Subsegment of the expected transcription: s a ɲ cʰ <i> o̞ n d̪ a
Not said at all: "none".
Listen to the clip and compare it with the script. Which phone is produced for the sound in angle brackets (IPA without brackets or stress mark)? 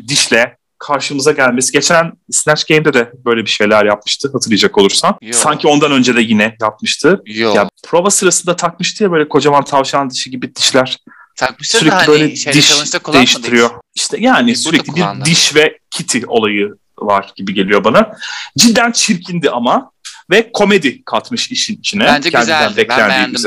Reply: i